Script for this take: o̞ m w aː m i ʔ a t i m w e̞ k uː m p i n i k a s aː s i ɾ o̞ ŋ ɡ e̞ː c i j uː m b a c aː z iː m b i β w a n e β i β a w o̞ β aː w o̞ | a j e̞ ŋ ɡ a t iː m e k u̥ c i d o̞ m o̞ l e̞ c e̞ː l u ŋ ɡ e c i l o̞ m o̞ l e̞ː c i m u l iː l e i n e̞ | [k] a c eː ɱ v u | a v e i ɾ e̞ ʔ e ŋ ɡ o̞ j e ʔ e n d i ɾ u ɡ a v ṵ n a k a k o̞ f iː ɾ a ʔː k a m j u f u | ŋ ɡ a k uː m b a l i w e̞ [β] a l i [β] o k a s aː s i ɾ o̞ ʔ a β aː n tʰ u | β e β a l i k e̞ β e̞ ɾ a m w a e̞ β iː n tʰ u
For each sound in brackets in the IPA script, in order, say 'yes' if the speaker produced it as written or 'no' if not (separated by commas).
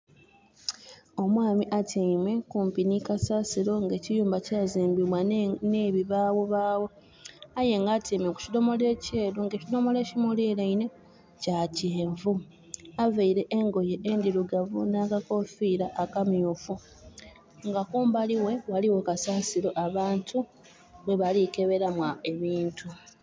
no, no, no